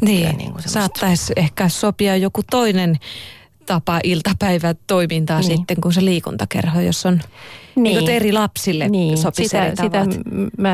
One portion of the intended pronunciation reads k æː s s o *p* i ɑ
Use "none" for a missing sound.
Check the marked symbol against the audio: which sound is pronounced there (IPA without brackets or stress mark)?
p